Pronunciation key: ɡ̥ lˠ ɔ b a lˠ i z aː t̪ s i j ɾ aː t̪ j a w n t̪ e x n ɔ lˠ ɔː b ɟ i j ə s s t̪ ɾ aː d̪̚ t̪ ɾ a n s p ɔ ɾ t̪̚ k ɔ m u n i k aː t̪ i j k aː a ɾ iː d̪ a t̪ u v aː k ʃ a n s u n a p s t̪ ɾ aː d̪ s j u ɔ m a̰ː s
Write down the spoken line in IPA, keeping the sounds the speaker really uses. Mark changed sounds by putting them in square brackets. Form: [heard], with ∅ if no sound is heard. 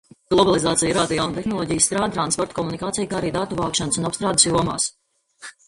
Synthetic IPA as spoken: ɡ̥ lˠ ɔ b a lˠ i z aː t̪ s i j ɾ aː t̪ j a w n t̪ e x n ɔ lˠ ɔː [∅] ɟ i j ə s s t̪ ɾ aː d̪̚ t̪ ɾ a n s p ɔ ɾ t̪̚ k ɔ m u n i k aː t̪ i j k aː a ɾ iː d̪ a t̪ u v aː k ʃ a n s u n a p s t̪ ɾ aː d̪ s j u ɔ m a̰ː s